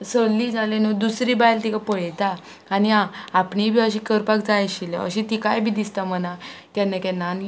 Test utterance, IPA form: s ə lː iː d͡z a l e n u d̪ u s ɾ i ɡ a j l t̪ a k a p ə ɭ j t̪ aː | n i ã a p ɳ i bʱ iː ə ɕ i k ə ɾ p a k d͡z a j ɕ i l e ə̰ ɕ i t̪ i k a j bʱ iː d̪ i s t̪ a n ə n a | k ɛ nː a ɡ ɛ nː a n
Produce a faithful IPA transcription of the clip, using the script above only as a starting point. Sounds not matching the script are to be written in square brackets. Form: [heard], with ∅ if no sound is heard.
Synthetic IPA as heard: s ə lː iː d͡z a l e n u d̪ u s ɾ i [b] a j l t̪ [i] k a p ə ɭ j t̪ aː | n i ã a p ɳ i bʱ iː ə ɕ i k ə ɾ p a k d͡z a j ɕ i l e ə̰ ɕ i t̪ i k a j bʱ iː d̪ i s t̪ a [m] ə n a | k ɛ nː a [k] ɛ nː a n